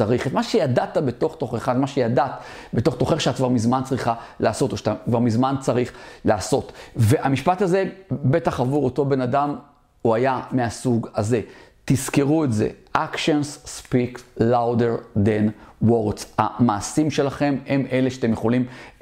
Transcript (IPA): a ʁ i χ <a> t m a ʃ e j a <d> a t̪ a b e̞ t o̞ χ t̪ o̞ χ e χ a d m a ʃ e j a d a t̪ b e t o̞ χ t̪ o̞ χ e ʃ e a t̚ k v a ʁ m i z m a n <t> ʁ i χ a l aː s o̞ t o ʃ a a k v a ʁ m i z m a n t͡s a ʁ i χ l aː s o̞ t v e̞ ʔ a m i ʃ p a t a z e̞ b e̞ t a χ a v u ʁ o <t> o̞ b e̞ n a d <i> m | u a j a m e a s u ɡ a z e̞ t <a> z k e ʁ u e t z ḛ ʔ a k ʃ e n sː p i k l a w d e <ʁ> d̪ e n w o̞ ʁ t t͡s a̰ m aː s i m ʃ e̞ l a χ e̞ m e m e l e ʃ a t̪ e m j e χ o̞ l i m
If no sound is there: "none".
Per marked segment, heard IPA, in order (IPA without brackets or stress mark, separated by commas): e, d, t͡s, t, a, i, ʁ